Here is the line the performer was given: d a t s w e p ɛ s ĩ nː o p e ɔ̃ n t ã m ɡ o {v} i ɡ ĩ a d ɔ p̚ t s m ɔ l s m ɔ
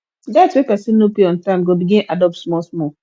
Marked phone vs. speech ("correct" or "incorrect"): incorrect